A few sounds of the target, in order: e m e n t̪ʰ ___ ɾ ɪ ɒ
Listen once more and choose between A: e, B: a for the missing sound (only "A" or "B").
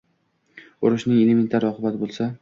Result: B